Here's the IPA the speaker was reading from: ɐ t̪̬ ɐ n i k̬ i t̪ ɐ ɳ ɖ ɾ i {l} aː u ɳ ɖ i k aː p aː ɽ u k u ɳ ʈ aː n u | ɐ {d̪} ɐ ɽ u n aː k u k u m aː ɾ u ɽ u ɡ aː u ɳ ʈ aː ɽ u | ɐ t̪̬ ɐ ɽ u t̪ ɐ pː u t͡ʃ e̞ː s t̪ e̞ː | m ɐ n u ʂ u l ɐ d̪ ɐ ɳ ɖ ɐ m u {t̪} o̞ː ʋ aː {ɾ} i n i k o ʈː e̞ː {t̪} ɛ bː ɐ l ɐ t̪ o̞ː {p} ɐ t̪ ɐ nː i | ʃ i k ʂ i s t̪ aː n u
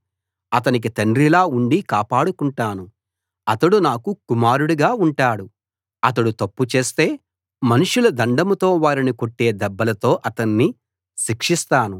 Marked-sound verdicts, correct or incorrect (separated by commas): correct, incorrect, correct, correct, incorrect, incorrect